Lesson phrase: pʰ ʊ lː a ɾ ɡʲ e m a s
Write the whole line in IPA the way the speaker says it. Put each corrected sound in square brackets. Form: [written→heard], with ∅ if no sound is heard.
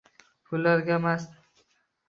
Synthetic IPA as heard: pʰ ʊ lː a ɾ ɡʲ [e→a] m a s